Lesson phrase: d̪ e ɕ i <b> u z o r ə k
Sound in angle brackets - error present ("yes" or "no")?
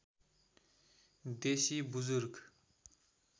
no